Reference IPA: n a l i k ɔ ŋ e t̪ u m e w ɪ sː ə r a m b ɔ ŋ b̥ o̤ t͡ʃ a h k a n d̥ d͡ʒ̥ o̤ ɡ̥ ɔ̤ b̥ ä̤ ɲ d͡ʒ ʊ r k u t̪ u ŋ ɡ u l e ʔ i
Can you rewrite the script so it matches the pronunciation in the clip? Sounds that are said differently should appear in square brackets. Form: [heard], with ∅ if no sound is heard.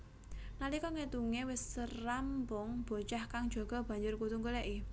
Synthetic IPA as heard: n a l i k ɔ ŋ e t̪ u [ŋ] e w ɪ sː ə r a m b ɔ ŋ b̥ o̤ t͡ʃ a h k a [ŋ] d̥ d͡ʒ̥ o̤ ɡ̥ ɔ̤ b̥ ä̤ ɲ d͡ʒ ʊ r k u t̪ u ŋ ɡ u l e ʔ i